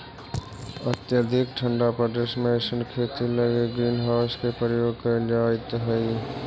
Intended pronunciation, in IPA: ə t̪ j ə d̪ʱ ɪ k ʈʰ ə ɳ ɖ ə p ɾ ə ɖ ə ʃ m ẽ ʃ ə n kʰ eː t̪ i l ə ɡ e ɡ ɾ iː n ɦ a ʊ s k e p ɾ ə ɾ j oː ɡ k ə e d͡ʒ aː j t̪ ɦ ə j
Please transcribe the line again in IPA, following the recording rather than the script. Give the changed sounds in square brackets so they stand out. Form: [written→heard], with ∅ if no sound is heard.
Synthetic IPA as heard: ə t̪ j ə d̪ʱ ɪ k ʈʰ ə ɳ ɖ [ə→a] p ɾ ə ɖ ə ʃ m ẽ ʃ ə n kʰ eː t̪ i l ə ɡ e ɡ ɾ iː n ɦ a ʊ s k e p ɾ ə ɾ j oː ɡ k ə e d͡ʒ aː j t̪ ɦ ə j